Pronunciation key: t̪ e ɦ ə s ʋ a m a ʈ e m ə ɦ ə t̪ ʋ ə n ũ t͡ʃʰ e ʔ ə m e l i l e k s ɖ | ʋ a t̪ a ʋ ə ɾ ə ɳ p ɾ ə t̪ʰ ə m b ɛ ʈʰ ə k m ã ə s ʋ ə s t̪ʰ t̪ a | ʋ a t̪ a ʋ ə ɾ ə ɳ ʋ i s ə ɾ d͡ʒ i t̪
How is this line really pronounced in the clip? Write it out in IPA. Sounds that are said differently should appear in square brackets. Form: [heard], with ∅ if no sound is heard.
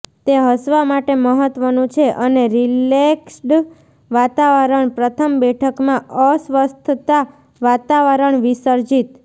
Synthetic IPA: t̪ e ɦ ə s ʋ a m a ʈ e m ə ɦ ə t̪ ʋ ə n ũ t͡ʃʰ e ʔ ə [n] e [ɾ] i l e k s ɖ | ʋ a t̪ a ʋ ə ɾ ə ɳ p ɾ ə t̪ʰ ə m b ɛ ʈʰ ə k m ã ə s ʋ ə s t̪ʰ t̪ a | ʋ a t̪ a ʋ ə ɾ ə ɳ ʋ i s ə ɾ d͡ʒ i t̪